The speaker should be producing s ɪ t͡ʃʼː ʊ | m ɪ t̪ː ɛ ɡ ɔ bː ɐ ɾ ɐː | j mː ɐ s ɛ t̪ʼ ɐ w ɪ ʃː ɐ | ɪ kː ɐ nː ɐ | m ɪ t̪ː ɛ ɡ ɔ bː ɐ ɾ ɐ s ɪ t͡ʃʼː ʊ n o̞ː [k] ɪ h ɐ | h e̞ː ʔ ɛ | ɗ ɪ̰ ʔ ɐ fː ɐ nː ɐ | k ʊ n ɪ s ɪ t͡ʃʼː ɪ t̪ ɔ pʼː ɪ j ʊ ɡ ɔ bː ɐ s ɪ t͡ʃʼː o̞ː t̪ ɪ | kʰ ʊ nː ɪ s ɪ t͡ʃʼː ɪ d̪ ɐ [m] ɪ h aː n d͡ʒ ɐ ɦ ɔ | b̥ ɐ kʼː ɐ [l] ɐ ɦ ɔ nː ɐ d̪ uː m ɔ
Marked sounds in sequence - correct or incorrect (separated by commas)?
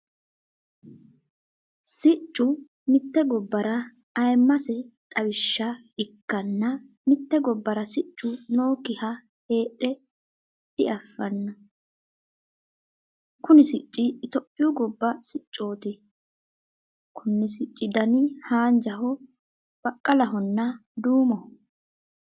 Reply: correct, incorrect, correct